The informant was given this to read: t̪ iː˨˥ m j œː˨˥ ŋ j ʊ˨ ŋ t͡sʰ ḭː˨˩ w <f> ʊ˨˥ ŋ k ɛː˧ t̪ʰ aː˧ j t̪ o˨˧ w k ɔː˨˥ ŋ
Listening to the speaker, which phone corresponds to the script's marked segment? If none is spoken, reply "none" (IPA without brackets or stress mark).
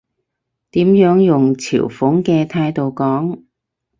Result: f